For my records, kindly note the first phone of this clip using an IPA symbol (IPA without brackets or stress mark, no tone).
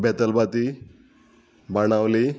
b